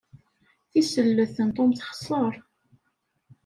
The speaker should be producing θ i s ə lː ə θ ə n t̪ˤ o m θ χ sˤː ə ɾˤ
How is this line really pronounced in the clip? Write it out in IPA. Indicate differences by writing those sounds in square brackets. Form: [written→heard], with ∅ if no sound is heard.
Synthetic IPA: θ i s ə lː ə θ ə n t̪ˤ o m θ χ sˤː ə ɾˤ